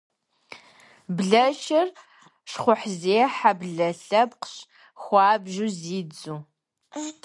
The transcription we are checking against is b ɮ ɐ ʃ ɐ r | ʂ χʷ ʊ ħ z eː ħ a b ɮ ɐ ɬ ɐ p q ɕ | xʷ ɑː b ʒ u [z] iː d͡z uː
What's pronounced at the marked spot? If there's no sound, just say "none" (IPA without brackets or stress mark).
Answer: z